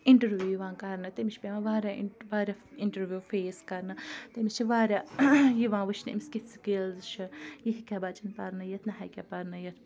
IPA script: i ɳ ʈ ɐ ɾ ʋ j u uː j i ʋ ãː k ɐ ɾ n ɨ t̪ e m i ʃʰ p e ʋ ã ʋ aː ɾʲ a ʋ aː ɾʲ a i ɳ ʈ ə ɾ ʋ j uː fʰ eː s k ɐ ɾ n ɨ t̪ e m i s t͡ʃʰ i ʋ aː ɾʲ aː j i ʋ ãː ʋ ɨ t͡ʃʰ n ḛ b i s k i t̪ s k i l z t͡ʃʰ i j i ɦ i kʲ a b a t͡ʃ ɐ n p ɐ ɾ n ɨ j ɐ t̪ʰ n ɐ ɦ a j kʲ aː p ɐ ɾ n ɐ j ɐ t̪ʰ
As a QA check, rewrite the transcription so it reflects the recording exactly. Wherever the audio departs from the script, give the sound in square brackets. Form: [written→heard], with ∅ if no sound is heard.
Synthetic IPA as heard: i ɳ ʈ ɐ ɾ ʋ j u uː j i ʋ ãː k ɐ ɾ n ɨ t̪ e m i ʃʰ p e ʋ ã ʋ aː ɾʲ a ʋ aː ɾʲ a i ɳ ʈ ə ɾ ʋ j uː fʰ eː s k ɐ ɾ n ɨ t̪ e m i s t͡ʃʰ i ʋ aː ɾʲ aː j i ʋ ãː ʋ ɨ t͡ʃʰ n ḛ [b→m] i s k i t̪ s k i l z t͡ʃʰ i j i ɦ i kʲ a b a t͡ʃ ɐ n p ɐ ɾ n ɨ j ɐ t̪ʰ n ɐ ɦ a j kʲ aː p ɐ ɾ n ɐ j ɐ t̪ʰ